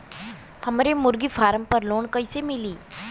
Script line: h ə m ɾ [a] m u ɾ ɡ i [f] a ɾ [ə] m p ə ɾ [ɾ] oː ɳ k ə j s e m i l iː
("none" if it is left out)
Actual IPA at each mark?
e, f, ə, l

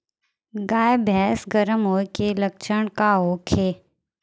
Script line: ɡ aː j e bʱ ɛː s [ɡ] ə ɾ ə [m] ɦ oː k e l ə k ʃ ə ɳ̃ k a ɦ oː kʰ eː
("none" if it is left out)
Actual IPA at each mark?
ɡ, m

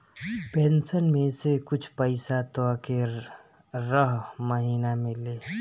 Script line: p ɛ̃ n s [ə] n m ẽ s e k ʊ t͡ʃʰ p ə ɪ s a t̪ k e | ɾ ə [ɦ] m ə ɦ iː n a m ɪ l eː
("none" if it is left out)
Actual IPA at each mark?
ə, ɦ

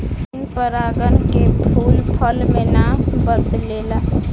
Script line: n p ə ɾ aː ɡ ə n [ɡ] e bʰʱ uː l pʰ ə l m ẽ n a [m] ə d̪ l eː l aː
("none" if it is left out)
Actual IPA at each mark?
k, b

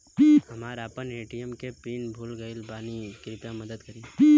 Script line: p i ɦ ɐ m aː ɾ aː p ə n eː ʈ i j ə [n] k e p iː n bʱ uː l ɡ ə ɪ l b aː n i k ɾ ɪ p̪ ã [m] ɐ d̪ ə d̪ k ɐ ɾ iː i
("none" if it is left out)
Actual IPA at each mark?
m, m

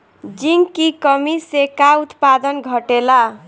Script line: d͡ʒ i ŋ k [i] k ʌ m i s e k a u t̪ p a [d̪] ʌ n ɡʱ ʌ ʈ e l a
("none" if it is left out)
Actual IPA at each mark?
i, d̪

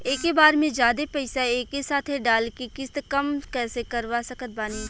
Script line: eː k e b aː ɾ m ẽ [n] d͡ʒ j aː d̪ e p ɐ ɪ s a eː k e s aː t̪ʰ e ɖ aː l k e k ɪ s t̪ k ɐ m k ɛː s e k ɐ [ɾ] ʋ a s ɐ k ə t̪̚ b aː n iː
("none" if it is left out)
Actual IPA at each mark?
none, ɾ

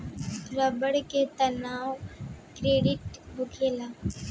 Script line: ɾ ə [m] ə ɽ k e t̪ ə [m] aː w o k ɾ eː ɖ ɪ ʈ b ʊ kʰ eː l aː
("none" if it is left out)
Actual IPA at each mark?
b, n

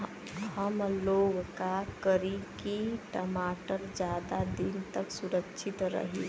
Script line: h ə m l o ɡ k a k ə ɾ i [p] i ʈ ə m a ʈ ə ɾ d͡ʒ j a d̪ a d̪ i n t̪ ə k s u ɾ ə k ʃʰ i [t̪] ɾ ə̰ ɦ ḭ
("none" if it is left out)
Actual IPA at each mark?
k, t̪

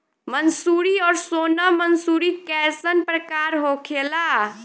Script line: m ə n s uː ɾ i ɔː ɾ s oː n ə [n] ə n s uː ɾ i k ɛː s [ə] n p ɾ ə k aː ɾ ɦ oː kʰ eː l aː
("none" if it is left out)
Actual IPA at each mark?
m, ə

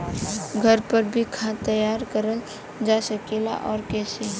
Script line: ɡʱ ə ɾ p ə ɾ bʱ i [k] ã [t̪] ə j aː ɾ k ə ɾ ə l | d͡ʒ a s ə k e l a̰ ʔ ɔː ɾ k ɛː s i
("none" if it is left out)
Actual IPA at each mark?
kʰ, t̪

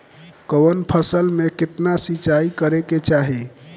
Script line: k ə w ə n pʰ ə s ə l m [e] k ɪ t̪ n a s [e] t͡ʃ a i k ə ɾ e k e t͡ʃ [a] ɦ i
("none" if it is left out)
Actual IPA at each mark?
e, i, a

